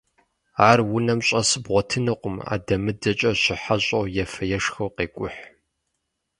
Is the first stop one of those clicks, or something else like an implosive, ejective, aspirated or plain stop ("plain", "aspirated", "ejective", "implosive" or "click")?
plain